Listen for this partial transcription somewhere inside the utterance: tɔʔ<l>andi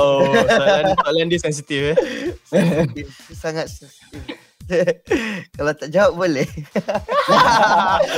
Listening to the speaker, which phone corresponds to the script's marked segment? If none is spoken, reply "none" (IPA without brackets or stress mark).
l